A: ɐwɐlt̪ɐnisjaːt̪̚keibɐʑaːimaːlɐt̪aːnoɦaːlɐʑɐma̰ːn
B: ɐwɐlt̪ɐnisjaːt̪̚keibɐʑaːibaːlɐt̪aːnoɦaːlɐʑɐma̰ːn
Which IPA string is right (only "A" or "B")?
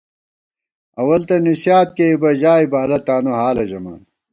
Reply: B